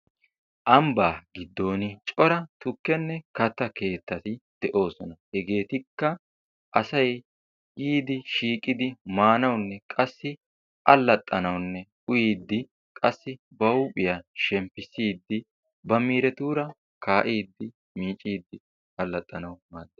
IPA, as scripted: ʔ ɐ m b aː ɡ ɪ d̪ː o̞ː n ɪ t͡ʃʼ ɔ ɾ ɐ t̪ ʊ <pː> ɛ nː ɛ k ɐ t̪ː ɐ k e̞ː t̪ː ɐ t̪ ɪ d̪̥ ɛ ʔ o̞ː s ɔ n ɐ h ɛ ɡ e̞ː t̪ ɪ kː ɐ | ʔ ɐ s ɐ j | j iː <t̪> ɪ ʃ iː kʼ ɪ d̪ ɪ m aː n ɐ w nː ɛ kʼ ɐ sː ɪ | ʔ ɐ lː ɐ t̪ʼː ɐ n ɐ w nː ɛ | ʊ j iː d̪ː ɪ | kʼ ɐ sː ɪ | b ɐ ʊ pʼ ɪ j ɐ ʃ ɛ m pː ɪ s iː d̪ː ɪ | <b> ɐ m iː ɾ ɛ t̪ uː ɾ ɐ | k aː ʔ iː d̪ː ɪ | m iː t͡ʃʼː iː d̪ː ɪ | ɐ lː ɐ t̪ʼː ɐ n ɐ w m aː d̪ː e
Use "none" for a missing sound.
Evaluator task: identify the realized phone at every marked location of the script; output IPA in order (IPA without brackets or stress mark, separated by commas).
kː, d̪, b